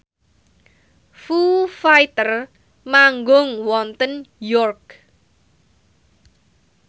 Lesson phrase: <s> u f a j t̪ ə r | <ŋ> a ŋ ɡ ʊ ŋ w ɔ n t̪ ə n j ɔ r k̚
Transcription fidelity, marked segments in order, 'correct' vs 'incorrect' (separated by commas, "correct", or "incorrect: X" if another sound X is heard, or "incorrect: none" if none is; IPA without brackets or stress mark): incorrect: f, incorrect: m